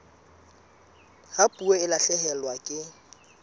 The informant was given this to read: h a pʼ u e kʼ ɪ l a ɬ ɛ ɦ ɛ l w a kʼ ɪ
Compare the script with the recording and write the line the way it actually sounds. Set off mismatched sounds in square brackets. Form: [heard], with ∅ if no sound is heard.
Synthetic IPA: h a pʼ u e [∅] ɪ l a ɬ ɛ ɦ ɛ l w a kʼ ɪ